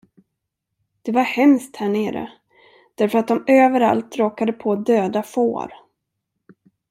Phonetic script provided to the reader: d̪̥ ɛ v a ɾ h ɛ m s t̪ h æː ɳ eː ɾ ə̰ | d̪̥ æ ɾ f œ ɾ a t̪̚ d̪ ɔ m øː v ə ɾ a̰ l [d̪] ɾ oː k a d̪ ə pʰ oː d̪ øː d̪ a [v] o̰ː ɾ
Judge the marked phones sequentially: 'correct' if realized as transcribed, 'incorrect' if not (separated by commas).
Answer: incorrect, incorrect